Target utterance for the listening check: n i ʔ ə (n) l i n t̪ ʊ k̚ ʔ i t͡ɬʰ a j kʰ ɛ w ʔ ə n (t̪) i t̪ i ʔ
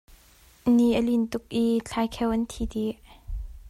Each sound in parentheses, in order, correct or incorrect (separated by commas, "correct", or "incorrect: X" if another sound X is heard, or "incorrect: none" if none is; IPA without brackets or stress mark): incorrect: none, incorrect: t̪ʰ